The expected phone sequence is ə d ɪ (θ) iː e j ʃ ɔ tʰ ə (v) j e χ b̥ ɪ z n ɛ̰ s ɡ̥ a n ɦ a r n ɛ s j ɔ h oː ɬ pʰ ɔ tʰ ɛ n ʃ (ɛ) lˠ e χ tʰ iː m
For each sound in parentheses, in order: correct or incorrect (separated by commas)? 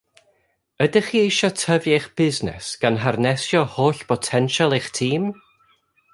incorrect, correct, incorrect